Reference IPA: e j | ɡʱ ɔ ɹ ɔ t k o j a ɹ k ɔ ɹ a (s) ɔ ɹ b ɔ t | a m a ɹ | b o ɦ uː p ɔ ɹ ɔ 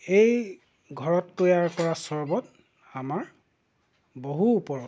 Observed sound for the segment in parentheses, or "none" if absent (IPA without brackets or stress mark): s